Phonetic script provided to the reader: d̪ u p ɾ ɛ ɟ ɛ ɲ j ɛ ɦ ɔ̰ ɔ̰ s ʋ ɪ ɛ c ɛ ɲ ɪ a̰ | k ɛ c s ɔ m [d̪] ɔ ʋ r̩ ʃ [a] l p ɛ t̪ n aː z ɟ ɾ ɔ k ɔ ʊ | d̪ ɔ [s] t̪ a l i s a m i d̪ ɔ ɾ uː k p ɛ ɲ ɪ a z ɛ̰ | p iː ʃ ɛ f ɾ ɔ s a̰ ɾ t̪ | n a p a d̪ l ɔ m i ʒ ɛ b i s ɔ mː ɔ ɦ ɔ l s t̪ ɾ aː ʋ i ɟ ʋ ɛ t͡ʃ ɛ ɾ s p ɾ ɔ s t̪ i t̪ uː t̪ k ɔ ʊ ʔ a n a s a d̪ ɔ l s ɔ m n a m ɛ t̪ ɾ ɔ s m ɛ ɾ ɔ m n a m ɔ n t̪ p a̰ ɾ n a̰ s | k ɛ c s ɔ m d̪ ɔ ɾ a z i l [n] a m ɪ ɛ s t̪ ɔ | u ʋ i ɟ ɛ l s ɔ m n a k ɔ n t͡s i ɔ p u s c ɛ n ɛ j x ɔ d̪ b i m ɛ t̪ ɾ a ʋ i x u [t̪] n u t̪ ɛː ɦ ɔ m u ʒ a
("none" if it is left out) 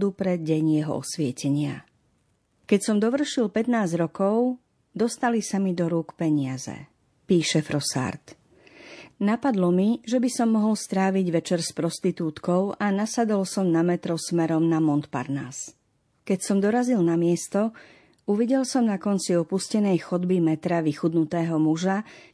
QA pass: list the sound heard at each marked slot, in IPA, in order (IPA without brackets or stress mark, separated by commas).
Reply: d̪, i, s, n, d̪